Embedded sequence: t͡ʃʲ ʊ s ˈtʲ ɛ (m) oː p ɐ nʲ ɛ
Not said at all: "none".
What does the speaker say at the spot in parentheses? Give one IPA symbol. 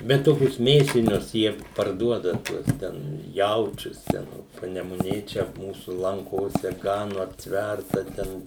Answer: n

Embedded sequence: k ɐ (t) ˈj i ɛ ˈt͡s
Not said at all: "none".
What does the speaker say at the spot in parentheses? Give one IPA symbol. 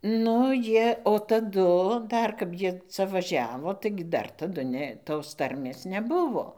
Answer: p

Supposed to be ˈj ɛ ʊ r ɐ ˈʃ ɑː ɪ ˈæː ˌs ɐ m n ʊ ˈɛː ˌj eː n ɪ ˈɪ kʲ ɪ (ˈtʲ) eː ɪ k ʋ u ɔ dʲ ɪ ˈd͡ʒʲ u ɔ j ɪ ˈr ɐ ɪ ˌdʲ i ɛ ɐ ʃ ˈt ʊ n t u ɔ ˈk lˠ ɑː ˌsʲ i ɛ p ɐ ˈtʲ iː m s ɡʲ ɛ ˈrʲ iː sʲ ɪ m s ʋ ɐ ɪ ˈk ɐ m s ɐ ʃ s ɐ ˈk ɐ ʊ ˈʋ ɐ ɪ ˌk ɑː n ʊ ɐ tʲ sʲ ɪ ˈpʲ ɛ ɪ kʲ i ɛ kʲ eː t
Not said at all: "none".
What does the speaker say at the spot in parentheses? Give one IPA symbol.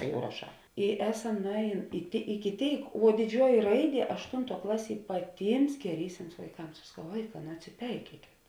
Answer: tʲ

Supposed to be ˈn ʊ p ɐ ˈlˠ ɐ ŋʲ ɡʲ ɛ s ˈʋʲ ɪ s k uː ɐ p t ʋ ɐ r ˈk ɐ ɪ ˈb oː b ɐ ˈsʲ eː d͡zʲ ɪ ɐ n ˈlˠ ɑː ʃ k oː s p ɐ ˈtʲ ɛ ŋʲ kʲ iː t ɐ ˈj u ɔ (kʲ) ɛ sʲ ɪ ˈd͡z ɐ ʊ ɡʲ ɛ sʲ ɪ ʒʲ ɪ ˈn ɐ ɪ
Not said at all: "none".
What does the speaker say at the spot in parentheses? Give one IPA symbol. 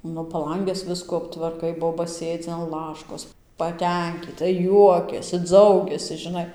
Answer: kʲ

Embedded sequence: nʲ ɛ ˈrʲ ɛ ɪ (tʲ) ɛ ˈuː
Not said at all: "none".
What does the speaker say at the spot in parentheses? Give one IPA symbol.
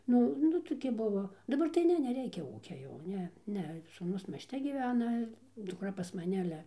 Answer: kʲ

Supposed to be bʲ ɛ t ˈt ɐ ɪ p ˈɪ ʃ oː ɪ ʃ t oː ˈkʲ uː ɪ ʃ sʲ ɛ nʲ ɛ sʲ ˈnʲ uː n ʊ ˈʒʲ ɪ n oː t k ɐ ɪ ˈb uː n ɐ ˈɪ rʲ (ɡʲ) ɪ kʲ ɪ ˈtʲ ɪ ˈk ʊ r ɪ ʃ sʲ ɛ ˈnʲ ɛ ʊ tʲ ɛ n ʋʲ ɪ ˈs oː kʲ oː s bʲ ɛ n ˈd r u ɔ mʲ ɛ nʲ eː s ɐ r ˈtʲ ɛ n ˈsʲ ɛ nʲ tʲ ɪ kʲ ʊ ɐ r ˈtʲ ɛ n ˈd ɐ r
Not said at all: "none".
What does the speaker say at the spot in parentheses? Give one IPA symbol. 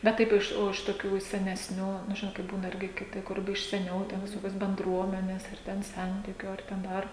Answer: ɡʲ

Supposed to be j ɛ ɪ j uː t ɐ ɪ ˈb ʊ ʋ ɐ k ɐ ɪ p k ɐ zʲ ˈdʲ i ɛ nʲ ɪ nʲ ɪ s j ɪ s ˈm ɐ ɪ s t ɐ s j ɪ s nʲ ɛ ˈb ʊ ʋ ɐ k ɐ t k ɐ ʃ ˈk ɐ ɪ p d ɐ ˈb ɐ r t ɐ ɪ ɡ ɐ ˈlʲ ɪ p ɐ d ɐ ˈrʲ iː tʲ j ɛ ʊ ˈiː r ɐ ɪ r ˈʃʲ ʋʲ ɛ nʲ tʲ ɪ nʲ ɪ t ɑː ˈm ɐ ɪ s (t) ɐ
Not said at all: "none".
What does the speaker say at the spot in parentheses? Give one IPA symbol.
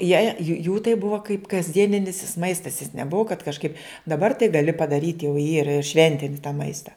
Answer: t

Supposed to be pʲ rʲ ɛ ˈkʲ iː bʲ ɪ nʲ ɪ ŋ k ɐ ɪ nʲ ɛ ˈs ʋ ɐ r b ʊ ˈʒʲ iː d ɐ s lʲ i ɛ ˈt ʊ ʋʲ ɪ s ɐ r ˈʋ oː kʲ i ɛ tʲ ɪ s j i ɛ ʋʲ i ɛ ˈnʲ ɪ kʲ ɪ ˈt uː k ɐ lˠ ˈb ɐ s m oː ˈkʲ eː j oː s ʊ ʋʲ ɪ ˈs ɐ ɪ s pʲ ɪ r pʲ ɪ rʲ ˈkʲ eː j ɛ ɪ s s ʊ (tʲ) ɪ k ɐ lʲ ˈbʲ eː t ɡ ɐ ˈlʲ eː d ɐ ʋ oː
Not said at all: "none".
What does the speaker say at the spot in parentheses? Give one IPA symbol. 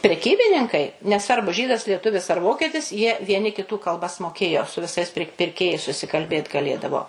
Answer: sʲ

